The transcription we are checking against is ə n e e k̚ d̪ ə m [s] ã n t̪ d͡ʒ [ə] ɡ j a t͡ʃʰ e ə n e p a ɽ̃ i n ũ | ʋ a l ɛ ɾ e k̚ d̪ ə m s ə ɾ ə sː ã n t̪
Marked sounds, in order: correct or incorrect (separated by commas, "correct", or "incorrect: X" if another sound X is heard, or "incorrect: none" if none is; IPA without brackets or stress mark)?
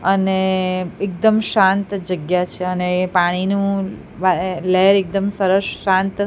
incorrect: ʃ, correct